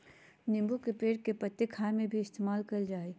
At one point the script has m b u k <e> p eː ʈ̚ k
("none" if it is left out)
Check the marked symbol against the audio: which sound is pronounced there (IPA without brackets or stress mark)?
e